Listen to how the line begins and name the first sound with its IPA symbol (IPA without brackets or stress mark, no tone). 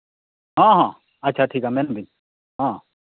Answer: ɦ